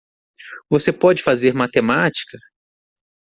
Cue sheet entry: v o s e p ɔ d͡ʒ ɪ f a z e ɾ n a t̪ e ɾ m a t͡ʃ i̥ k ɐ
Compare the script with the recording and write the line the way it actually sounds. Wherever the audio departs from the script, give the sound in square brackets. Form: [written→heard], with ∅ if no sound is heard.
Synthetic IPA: v o s e p ɔ d͡ʒ ɪ f a z e ɾ [n→m] a t̪ e [ɾ→∅] m a t͡ʃ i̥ k ɐ